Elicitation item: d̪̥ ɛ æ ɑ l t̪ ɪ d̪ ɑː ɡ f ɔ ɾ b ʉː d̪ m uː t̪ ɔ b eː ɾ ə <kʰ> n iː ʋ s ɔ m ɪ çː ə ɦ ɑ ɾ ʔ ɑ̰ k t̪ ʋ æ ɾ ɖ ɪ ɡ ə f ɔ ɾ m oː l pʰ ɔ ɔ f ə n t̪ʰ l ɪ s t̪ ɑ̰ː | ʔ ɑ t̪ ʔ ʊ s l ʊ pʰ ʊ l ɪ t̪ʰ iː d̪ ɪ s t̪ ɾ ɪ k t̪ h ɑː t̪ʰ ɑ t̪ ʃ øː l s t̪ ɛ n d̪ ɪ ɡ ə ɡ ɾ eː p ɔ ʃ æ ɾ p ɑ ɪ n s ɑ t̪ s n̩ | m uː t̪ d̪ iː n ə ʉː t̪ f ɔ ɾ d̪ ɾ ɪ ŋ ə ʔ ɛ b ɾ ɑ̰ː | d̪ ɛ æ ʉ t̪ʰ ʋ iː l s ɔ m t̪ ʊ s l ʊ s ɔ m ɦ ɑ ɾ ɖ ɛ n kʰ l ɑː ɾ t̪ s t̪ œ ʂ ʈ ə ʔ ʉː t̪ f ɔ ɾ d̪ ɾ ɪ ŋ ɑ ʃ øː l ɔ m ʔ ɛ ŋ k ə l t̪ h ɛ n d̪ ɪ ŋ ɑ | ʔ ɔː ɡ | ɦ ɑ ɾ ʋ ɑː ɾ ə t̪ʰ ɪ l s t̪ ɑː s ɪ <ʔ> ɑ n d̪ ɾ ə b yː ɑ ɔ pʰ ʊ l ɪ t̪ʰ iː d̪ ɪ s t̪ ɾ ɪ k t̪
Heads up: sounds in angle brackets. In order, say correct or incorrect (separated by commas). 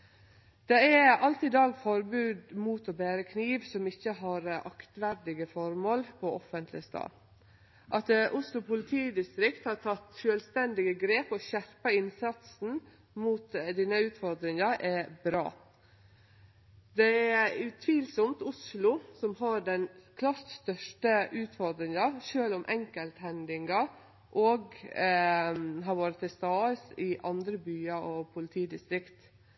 correct, correct